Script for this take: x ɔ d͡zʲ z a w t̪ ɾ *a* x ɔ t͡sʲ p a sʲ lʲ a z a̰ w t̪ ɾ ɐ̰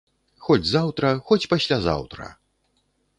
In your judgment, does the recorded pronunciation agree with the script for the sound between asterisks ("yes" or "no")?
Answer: no